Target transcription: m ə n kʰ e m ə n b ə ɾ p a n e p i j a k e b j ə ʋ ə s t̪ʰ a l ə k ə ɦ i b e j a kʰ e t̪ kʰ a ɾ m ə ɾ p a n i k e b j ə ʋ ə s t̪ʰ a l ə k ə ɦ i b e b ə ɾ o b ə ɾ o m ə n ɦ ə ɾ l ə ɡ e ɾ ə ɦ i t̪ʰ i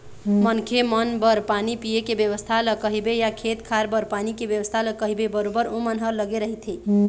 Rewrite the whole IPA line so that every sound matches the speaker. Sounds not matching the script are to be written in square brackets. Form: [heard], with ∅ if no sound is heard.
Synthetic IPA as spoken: m ə n kʰ e m ə n b ə ɾ p a n [i] p i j [e] k e b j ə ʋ ə s t̪ʰ a l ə k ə ɦ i b e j a kʰ e t̪ kʰ a ɾ [b] ə ɾ p a n i k e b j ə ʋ ə s t̪ʰ a l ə k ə ɦ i b e b ə ɾ o b ə ɾ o m ə n ɦ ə ɾ l ə ɡ e ɾ ə ɦ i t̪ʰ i